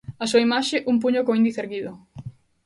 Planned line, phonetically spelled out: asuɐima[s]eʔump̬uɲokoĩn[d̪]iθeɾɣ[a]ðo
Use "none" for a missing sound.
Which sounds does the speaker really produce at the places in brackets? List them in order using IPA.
ʃ, d̪, i

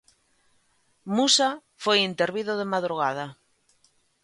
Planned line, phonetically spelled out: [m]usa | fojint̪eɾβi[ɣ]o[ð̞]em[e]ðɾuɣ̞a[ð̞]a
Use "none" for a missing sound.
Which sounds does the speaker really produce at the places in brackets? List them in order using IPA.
m, ð, ð̞, a, ð̞

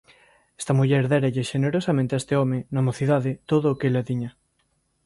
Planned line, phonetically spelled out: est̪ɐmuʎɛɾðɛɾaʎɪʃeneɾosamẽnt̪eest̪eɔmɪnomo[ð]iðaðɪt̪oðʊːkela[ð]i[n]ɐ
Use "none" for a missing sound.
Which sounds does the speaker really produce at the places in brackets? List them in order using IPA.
θ, ð, ɲ

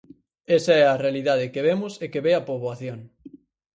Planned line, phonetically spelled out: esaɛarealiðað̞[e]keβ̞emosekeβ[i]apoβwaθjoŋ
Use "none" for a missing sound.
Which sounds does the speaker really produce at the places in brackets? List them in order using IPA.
e, e

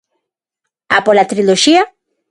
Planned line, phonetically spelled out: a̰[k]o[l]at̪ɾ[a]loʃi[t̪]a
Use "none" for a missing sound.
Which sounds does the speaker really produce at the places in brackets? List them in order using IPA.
p, l, i, none

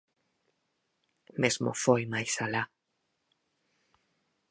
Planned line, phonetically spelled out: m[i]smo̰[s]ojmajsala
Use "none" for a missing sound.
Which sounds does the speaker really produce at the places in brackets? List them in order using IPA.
e, f

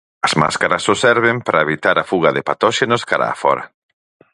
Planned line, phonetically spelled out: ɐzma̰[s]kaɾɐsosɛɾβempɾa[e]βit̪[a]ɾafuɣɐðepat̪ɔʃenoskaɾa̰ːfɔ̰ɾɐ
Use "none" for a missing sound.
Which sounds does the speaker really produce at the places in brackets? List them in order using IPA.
s, e, a

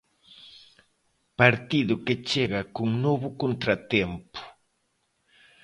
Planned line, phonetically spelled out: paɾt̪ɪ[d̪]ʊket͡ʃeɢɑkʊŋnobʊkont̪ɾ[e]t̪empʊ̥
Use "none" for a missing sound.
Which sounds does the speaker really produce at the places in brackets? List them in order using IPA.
d̪, a

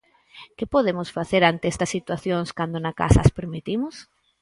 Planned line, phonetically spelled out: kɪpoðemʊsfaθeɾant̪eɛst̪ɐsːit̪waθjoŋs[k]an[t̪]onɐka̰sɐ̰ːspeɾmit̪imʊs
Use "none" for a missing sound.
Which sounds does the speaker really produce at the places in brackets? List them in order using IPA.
k, d̪

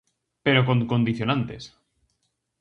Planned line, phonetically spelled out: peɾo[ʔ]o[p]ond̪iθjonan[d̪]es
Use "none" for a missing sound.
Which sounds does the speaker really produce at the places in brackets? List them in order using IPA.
k, k, t̪

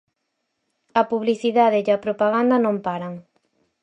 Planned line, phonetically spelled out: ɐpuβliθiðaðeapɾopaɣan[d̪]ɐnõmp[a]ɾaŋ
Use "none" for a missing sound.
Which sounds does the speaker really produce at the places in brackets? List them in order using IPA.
d̪, a

